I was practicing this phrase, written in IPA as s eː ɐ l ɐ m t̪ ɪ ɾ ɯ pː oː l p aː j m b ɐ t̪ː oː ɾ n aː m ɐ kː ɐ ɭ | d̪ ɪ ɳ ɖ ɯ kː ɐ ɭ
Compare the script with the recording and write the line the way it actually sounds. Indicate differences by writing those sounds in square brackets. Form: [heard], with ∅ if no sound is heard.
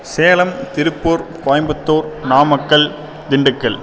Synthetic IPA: s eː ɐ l ɐ m t̪ ɪ ɾ ɯ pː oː [ɾ] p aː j m b ɐ t̪ː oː ɾ n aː m ɐ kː ɐ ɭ | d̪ ɪ ɳ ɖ ɯ kː ɐ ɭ